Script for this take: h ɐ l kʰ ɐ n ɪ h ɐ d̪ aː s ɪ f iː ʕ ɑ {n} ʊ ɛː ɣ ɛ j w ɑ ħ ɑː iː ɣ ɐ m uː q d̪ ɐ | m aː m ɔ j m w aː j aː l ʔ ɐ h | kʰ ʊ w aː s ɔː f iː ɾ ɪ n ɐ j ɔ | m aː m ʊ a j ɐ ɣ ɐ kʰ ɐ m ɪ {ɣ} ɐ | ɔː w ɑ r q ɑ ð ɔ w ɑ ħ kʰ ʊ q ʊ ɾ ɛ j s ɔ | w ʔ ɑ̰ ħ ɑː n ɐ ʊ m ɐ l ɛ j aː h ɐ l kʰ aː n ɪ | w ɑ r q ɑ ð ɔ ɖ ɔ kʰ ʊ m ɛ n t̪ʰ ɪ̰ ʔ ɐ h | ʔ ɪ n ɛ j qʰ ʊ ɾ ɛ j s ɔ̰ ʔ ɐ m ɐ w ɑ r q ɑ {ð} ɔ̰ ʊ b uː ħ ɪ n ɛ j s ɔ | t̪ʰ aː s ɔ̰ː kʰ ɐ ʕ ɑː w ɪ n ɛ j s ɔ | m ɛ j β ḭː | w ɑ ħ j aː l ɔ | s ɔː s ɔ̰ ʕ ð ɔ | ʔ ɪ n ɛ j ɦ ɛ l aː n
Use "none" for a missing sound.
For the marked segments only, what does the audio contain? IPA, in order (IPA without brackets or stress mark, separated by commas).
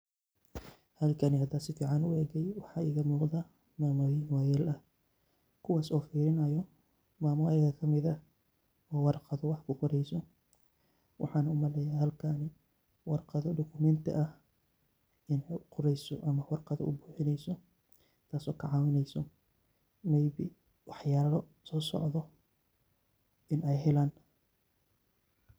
n, ð, ð